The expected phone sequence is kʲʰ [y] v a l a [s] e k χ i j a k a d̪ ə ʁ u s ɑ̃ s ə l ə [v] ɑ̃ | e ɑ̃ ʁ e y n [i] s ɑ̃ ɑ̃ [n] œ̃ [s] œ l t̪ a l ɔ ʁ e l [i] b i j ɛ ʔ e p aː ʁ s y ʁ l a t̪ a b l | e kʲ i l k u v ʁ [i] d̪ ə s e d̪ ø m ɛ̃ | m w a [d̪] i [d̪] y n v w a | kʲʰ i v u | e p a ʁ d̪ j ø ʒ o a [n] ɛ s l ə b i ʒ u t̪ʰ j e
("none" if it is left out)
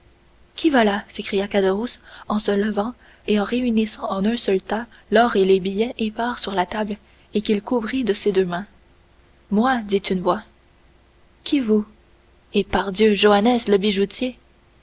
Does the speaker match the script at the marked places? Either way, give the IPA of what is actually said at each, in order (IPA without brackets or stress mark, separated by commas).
i, s, v, i, n, s, e, i, d̪, t̪, n